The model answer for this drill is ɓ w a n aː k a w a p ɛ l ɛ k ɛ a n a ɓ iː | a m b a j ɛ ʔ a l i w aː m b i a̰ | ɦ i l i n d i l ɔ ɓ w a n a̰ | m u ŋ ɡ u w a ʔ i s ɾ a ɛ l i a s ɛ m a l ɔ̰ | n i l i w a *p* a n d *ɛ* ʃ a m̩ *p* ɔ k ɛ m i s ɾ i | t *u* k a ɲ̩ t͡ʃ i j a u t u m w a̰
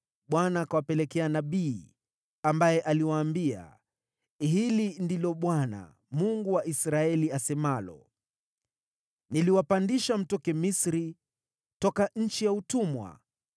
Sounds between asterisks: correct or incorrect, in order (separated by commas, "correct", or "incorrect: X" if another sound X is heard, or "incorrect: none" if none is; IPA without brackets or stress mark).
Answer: correct, incorrect: i, incorrect: t, incorrect: ɔ